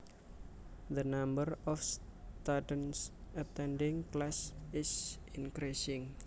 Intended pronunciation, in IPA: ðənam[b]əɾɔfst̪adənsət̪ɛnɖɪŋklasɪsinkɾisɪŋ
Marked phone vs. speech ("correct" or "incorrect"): correct